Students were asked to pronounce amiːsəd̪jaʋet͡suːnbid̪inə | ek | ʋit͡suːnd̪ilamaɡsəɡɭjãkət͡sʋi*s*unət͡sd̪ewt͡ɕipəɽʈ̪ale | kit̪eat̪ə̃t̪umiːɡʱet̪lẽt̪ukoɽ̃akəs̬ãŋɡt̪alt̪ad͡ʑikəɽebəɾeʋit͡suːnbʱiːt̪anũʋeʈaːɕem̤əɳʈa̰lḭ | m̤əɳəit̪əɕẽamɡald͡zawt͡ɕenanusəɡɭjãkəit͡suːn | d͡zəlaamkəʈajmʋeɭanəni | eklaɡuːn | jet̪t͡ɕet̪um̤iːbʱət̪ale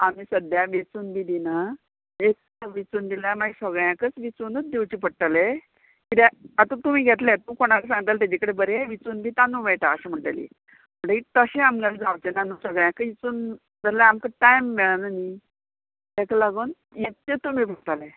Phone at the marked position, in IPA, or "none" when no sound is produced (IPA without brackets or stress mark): t͡s